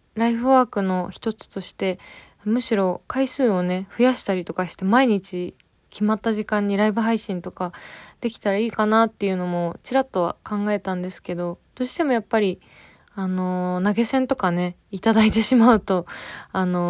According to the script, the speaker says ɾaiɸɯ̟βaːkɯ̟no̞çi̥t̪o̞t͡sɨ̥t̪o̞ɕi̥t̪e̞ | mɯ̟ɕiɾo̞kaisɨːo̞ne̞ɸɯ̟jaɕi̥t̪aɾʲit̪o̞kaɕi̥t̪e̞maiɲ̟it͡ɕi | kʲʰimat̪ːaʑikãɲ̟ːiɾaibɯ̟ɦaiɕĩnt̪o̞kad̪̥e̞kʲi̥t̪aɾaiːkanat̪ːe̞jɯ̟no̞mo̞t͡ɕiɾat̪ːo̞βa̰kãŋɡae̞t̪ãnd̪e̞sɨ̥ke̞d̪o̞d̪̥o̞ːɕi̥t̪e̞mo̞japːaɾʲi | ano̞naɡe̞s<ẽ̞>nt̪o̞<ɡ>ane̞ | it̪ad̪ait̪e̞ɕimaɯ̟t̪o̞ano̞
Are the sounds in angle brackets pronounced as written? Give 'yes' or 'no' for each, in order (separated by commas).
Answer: yes, no